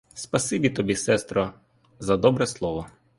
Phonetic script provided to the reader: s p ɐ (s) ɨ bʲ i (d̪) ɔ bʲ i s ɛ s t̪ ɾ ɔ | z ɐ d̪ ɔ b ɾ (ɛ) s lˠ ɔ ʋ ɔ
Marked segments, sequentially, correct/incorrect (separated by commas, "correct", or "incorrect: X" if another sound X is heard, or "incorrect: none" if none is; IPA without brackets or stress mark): correct, incorrect: t̪, correct